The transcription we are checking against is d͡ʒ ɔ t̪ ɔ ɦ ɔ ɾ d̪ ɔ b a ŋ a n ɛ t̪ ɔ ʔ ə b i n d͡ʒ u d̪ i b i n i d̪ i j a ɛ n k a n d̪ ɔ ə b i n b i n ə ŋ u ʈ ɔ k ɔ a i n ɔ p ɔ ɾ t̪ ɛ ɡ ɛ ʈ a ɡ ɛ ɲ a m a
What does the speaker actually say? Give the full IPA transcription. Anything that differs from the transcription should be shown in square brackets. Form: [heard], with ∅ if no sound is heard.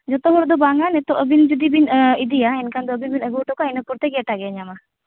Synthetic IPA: d͡ʒ ɔ t̪ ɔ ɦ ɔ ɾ d̪ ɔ b a ŋ a n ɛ t̪ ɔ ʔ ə b i n d͡ʒ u d̪ i b i n i d̪ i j a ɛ n k a n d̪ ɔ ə b i n b i n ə [ɡ] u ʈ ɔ k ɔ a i n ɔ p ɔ ɾ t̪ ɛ ɡ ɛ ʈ a ɡ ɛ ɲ a m a